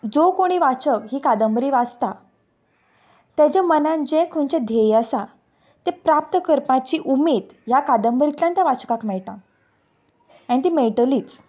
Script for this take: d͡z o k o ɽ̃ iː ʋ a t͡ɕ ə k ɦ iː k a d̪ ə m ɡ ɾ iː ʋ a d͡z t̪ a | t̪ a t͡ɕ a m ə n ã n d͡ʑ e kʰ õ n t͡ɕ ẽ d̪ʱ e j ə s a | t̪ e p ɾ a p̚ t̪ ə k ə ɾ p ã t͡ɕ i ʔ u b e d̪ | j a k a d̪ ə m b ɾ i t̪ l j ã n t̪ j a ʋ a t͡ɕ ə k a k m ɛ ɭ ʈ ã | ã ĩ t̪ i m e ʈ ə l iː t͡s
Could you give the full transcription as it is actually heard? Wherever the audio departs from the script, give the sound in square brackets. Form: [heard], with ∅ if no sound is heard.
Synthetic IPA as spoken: d͡z o k o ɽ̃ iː ʋ a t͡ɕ ə k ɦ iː k a d̪ ə m [b] ɾ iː ʋ a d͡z t̪ a | t̪ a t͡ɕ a m ə n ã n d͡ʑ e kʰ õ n t͡ɕ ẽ d̪ʱ e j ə s a | t̪ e p ɾ a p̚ t̪ ə k ə ɾ p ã t͡ɕ i ʔ u [m] e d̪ | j a k a d̪ ə m b ɾ i t̪ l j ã n t̪ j a ʋ a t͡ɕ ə k a k m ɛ ɭ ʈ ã | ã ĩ t̪ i m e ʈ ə l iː t͡s